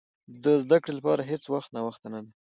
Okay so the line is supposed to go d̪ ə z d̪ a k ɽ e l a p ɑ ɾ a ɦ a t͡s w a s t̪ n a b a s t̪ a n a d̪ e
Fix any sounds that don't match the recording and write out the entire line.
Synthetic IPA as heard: d̪ ə z d̪ a k ɽ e l a p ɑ ɾ a ɦ e t͡s w a x t̪ n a w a x t̪ a n a d̪ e